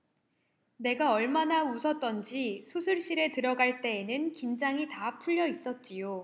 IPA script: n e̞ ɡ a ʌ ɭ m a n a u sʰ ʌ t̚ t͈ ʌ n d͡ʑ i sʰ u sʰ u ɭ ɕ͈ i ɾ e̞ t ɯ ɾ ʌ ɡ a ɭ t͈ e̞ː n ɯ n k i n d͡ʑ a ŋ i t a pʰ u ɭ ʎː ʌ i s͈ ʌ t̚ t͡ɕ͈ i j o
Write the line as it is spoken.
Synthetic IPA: n e̞ ɡ a ʌ ɭ m a n a u sʰ ʌ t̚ t͈ ʌ n d͡ʑ i sʰ u sʰ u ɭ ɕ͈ i ɾ e̞ t ɯ ɾ ʌ ɡ a ɭ t͈ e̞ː n ɯ n k i n d͡ʑ a ŋ i t a pʰ u ʎː ʌ i s͈ ʌ t̚ t͡ɕ͈ i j o